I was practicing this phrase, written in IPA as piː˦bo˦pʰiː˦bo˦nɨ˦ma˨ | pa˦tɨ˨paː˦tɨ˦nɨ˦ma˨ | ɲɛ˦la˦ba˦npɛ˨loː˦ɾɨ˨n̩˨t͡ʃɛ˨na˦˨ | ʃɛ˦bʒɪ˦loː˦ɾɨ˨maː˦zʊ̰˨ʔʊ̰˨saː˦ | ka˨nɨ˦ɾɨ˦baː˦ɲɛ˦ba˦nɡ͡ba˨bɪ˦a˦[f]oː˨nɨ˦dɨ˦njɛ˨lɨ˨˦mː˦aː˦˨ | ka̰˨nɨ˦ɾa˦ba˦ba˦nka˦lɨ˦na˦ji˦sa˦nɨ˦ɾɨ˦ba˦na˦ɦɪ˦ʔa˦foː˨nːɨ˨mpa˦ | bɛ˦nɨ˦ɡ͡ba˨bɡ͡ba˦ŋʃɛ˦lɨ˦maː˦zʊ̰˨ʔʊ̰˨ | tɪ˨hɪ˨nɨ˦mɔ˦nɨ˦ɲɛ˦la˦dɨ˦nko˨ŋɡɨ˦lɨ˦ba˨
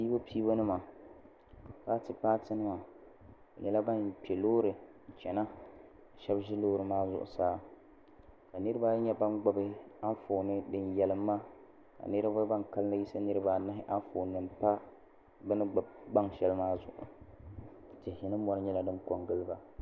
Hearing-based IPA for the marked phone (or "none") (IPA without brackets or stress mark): f